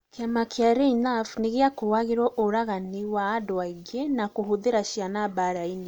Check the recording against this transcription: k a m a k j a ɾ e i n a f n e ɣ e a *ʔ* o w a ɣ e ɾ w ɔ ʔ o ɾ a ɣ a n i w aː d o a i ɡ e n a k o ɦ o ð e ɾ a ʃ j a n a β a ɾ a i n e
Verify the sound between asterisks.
incorrect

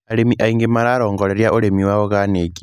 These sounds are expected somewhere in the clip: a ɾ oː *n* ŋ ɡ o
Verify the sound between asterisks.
incorrect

